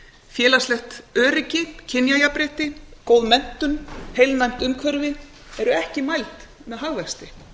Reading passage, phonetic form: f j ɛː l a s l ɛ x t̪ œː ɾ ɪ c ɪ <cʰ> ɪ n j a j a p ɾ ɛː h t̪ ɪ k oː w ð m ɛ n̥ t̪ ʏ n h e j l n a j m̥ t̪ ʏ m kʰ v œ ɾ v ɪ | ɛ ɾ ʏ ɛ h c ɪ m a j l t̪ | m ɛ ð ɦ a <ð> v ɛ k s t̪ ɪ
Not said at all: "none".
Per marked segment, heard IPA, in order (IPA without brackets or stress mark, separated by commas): cʰ, ɣ